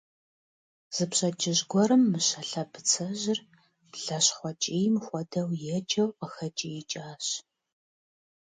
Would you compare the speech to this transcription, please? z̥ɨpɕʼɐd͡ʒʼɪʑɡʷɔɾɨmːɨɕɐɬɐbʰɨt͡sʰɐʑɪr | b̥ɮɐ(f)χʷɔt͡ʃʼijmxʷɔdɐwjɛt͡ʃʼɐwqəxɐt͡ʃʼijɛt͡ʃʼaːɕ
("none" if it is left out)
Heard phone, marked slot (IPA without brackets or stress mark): ɕ